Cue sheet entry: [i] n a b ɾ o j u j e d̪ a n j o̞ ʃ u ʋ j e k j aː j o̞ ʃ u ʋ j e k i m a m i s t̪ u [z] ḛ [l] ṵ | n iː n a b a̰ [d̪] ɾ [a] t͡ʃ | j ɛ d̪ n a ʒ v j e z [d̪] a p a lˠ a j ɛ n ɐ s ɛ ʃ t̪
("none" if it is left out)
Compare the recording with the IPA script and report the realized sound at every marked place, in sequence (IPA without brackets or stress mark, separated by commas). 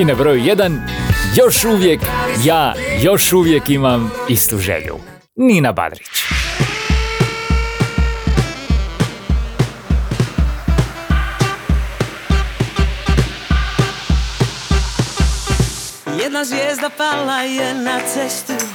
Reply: i, ʒ, ʎ, d̪, i, d̪